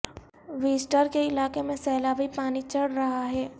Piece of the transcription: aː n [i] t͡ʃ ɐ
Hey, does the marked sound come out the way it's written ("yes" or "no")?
yes